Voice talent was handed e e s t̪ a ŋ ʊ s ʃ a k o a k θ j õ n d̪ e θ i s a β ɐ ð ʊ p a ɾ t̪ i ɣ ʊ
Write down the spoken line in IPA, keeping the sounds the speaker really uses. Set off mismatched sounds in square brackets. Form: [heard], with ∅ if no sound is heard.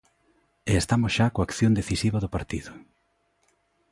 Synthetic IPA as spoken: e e s t̪ a [m] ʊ s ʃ a k o a k θ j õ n d̪ e θ i s [i] β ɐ ð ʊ p a ɾ t̪ i [ð] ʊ